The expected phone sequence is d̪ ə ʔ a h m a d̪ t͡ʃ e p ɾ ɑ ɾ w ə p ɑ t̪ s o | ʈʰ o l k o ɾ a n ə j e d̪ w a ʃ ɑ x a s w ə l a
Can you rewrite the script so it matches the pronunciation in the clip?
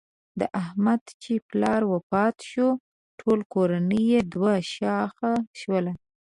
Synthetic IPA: d̪ ə ʔ a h m a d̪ t͡ʃ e p l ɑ ɾ w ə p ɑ t̪ ʃ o | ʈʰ o l k o ɾ a n ə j e d̪ w a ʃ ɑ x a ʃ w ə l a